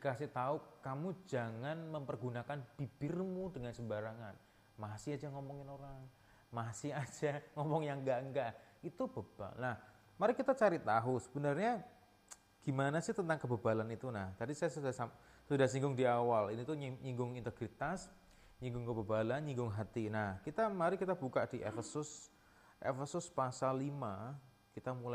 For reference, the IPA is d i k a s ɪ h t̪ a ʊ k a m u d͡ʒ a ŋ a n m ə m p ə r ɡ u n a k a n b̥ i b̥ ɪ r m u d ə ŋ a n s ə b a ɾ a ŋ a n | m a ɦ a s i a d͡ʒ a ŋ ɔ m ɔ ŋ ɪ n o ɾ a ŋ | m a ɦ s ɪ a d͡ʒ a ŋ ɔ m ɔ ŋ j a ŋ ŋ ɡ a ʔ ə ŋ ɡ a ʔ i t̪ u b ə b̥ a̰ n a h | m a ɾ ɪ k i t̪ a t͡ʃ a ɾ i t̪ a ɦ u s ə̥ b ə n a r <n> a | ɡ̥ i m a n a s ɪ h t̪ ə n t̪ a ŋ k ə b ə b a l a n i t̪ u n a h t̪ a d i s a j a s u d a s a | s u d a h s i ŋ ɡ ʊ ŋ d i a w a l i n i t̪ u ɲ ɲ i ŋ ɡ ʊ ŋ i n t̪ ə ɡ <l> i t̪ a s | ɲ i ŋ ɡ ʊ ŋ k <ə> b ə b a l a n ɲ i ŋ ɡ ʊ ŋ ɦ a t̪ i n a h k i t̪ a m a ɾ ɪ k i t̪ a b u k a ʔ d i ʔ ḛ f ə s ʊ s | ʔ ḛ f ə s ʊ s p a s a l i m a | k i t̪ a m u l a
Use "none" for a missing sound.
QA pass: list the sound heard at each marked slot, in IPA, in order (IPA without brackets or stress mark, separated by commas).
ɲ, ɾ, ə